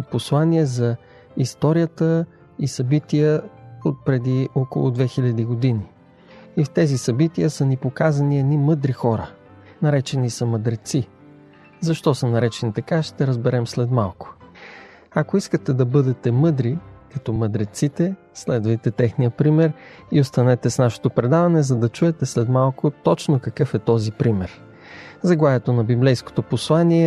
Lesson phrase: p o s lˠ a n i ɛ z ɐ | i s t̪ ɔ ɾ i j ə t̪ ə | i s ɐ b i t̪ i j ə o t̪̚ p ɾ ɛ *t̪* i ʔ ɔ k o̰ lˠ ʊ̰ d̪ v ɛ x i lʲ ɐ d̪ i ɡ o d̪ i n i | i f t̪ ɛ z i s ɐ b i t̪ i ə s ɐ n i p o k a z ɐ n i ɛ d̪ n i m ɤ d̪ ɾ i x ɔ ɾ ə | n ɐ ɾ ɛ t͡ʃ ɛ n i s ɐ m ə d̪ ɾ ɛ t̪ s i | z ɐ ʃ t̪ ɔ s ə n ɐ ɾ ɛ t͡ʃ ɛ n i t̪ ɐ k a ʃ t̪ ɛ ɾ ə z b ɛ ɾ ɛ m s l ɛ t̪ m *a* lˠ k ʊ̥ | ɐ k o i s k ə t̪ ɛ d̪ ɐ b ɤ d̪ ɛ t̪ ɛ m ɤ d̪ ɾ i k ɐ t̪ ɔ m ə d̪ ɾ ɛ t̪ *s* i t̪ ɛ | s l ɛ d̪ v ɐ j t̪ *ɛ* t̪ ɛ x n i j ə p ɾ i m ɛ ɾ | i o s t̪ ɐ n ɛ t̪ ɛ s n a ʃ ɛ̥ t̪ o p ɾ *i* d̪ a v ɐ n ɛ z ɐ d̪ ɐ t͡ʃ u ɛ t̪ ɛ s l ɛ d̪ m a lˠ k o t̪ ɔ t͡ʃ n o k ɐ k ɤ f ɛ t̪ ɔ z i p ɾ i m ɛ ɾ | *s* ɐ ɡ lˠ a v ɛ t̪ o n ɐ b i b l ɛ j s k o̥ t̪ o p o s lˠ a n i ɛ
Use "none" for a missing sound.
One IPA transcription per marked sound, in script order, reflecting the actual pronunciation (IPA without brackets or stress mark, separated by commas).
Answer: d̪, a, s, ɛ, ɛ, z